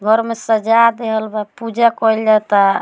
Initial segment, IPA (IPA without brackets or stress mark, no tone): ɡʱ